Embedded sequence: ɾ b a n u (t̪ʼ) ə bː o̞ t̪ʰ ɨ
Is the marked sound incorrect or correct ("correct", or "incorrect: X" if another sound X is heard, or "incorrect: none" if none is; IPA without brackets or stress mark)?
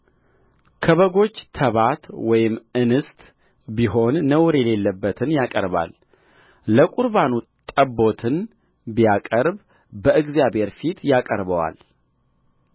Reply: correct